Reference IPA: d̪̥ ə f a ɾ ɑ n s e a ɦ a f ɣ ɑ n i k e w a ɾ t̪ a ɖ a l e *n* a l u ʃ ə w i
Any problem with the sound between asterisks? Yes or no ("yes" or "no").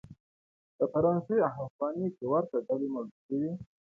yes